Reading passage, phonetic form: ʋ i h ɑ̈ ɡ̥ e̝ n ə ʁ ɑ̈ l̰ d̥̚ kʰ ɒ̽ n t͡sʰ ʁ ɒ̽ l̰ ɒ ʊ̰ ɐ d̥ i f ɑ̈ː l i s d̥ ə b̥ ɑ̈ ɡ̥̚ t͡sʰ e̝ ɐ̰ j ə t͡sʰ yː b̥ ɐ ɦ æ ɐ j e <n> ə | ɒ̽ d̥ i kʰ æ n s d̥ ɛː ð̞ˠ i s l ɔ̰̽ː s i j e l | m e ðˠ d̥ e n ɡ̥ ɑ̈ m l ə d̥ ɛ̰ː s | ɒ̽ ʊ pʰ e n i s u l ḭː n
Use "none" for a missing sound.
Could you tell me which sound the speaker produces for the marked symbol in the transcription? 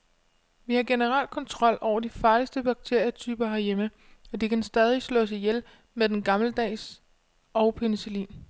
m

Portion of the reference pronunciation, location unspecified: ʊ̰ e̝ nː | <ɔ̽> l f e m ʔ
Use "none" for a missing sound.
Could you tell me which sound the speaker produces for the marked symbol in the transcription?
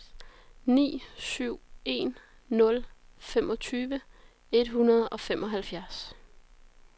ɔ̽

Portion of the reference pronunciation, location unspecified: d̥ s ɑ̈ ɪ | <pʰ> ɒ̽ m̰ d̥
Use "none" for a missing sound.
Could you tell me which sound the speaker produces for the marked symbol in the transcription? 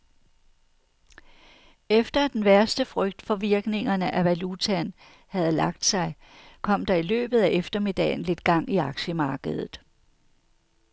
kʰ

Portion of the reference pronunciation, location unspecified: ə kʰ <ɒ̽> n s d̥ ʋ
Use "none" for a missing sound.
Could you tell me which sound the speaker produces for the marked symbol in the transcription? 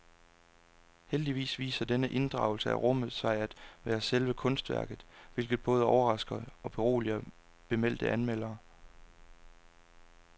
ɔ̽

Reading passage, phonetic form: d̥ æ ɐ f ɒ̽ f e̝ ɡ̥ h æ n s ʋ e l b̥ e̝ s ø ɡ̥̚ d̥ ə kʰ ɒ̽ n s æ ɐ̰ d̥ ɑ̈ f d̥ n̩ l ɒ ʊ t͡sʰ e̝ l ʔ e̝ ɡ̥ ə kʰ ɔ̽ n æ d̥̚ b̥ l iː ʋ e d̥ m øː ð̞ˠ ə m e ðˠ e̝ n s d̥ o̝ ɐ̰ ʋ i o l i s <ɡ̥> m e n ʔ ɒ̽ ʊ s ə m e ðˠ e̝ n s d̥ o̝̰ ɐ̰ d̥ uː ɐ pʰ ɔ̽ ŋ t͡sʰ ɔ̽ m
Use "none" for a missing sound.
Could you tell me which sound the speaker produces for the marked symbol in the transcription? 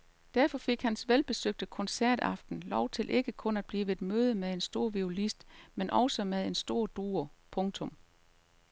d̥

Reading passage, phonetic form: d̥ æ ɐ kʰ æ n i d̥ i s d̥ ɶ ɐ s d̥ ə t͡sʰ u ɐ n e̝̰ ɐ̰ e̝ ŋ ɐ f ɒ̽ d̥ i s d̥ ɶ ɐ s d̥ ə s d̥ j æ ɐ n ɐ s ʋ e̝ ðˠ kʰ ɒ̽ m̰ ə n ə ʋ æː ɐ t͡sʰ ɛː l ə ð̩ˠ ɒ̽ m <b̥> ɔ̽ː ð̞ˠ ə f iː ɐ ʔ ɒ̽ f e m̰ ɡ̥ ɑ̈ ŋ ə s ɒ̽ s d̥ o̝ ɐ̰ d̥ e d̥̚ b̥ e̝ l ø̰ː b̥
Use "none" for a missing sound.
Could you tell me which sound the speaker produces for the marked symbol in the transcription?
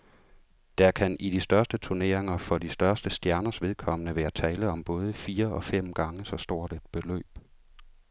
b̥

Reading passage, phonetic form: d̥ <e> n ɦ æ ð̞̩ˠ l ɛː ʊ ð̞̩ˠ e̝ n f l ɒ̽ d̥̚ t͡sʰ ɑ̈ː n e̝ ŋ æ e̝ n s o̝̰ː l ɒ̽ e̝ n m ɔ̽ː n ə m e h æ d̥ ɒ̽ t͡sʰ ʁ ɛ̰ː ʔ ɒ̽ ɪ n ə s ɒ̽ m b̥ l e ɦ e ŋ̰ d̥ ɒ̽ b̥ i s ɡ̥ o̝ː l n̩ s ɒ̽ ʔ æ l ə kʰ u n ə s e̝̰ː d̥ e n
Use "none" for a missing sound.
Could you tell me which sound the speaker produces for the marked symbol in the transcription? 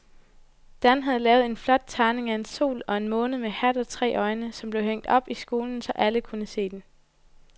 æ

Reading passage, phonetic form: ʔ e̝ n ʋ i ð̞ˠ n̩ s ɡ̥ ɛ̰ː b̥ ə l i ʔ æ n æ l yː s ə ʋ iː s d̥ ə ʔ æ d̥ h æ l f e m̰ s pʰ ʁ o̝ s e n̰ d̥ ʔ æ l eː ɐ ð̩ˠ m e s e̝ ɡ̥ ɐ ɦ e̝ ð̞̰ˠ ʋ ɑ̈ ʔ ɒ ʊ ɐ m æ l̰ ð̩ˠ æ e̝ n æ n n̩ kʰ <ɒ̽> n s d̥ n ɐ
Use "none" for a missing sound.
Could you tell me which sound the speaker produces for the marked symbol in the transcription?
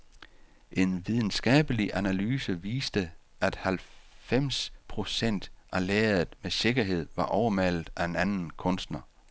ɔ̽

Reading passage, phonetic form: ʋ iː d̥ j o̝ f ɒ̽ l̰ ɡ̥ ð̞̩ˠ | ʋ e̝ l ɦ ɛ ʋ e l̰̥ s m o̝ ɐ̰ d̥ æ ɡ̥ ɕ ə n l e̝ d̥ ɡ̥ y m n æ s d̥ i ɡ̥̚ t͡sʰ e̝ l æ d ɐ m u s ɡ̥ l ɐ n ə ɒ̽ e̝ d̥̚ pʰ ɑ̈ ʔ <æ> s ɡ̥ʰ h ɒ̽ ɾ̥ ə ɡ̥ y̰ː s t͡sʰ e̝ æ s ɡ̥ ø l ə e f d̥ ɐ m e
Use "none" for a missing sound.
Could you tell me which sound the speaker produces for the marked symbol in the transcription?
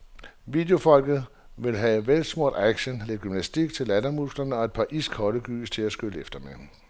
i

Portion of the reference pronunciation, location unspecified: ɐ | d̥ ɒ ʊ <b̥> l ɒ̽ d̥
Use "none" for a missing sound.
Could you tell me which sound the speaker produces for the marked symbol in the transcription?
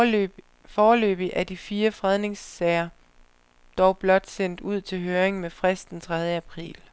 b̥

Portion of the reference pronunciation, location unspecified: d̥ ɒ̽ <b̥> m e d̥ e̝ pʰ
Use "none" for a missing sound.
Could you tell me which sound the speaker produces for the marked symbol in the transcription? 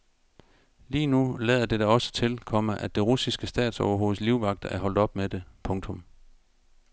b̥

